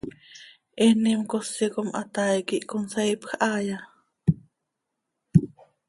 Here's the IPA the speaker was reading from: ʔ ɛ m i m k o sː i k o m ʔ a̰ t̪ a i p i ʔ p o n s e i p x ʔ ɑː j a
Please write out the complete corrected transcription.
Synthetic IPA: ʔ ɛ n i m k o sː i k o m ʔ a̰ t̪ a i k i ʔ k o n s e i p x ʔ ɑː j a